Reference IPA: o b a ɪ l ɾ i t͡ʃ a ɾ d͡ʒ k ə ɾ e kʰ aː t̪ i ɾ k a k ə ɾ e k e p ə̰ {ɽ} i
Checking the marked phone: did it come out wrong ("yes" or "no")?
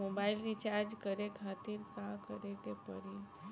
yes